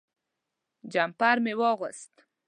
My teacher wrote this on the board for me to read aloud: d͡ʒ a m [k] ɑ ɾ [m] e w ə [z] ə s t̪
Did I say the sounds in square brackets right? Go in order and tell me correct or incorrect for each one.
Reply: incorrect, correct, incorrect

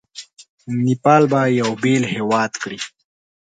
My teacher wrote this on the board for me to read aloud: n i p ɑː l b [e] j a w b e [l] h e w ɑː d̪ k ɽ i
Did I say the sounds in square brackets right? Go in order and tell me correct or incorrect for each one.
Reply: incorrect, correct

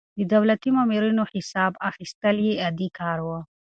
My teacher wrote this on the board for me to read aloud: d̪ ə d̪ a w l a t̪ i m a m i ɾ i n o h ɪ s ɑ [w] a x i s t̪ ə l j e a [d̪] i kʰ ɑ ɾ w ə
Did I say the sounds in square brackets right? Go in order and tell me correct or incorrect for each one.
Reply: incorrect, correct

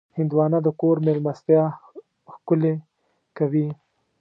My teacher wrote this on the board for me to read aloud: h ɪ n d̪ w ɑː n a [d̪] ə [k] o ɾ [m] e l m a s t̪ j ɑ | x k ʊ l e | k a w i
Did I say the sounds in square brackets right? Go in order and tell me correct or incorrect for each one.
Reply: correct, correct, correct

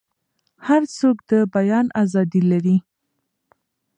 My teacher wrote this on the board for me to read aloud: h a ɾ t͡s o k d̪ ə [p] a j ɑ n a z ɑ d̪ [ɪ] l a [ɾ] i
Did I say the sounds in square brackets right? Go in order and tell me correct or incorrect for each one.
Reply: incorrect, incorrect, correct

